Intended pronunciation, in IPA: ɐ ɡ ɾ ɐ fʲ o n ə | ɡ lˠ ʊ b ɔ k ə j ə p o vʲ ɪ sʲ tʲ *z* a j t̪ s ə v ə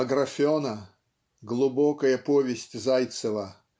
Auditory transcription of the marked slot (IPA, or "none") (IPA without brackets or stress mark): z